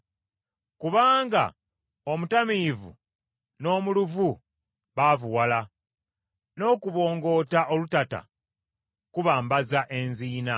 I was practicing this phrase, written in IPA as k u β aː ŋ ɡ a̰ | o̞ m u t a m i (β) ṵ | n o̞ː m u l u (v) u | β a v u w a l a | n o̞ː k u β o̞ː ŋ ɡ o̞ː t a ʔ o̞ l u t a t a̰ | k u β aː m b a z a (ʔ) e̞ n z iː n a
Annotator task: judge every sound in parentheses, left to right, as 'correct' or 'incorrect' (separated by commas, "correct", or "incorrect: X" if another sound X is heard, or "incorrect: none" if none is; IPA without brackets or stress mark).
incorrect: v, correct, correct